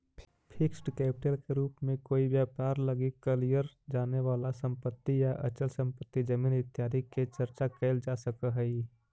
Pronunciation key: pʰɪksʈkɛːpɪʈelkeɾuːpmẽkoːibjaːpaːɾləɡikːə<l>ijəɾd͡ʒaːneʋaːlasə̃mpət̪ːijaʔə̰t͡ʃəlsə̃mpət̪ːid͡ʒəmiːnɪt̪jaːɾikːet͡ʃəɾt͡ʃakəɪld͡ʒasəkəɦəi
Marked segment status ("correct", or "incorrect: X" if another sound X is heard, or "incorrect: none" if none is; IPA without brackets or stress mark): correct